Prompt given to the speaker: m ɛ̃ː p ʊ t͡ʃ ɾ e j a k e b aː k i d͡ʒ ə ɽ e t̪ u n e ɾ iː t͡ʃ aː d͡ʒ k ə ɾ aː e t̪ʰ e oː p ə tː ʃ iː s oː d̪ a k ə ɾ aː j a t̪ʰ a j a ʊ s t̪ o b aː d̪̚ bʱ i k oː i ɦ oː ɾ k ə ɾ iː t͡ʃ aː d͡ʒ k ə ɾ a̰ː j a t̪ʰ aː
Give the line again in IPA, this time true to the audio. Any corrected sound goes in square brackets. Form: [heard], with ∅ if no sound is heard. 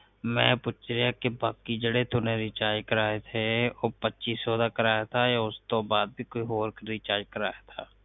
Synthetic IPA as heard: m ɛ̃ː p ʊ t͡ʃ ɾ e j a k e b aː k i d͡ʒ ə ɽ e t̪ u n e ɾ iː t͡ʃ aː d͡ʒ k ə ɾ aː e t̪ʰ e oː p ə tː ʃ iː s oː d̪ a k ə ɾ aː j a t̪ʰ a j a ʊ s t̪ o b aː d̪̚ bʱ i k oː i ɦ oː ɾ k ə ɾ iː t͡ʃ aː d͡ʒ k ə ɾ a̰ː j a t̪ʰ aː